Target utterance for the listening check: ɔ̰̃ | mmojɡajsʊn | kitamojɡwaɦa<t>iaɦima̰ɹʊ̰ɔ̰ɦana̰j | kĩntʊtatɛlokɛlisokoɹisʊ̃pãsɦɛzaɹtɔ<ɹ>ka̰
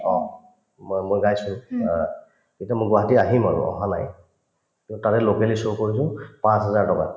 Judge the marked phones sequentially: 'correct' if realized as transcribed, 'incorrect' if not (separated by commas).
correct, incorrect